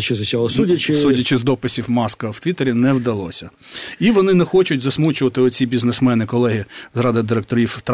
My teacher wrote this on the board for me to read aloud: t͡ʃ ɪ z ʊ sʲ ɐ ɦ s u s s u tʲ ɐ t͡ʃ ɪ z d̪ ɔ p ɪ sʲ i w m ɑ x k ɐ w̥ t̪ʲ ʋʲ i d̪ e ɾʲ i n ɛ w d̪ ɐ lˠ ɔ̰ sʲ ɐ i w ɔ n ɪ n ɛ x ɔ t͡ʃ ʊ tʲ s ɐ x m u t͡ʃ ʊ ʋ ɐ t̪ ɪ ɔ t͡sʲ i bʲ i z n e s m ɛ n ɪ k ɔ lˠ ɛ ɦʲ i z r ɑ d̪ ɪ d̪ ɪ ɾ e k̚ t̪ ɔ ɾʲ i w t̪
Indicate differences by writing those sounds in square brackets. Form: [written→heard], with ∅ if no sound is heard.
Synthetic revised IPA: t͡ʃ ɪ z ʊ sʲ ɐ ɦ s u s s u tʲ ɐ t͡ʃ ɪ z d̪ ɔ p ɪ sʲ i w m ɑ [x→s] k ɐ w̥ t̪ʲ ʋʲ i [d̪→t̪] e ɾʲ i n ɛ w d̪ ɐ lˠ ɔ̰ sʲ ɐ i [w→ʋ] ɔ n ɪ n ɛ x ɔ t͡ʃ ʊ tʲ [s→z] ɐ [x→s] m u t͡ʃ ʊ ʋ ɐ t̪ ɪ ɔ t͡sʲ i bʲ i z n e s m ɛ n ɪ k ɔ lˠ ɛ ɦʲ i z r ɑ d̪ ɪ d̪ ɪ ɾ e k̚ t̪ ɔ ɾʲ i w t̪